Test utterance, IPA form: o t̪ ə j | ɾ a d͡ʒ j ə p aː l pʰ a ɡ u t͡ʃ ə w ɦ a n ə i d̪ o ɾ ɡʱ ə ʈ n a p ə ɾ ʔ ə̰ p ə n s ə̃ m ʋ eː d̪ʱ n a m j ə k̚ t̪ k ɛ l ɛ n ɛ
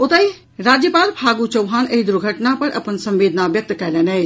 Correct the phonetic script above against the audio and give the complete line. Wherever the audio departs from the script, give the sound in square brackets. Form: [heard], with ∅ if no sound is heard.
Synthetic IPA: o t̪ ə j | ɾ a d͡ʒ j ə p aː l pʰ a ɡ u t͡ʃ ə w ɦ a n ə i d̪ [u] ɾ ɡʱ ə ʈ n a p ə ɾ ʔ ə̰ p ə n s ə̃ m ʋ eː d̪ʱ n a [b] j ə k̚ t̪ k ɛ l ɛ n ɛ